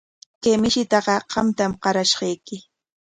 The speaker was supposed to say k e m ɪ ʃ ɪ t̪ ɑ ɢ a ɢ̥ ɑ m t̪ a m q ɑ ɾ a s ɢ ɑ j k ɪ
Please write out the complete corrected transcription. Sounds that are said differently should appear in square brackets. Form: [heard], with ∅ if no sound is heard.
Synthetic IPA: k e m ɪ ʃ ɪ t̪ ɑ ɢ [ɑ] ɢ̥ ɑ m t̪ a m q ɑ ɾ a [ʃ] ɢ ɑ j k ɪ